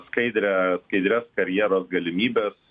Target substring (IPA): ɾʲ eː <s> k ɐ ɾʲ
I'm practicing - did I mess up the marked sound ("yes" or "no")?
no